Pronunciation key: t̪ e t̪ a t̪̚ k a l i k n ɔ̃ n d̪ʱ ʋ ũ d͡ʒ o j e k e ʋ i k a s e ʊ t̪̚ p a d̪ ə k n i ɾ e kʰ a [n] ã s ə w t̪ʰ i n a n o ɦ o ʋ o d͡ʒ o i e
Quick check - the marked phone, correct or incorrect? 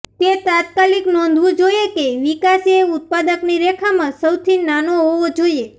incorrect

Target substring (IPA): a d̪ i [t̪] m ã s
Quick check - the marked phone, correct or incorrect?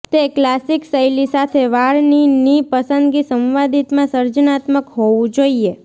correct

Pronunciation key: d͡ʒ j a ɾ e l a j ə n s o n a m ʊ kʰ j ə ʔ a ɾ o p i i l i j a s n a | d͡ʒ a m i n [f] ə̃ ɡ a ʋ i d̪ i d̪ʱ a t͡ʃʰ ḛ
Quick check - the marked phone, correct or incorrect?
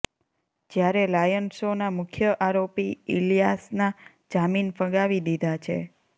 correct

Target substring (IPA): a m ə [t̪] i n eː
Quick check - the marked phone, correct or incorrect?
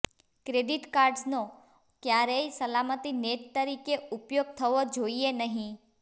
correct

